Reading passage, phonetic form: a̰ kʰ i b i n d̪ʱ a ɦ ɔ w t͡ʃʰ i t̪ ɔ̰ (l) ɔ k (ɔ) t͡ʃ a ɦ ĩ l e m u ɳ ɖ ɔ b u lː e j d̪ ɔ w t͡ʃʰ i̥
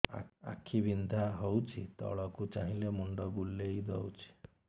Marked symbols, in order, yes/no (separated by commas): no, no